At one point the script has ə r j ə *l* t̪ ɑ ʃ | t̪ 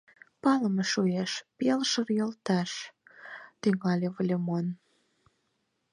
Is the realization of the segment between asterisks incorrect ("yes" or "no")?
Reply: no